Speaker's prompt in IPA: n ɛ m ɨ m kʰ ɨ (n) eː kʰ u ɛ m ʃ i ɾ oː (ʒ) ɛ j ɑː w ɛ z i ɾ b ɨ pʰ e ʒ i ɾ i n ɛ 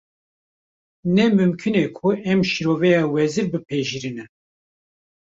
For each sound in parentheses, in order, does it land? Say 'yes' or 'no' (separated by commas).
yes, no